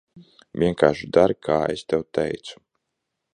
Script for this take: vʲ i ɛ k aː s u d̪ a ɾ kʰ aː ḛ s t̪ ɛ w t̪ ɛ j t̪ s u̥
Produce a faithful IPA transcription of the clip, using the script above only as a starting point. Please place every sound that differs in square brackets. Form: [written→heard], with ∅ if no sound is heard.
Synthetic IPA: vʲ i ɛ k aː [s→ʃ] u d̪ a ɾ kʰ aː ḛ s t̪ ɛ w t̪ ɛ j t̪ s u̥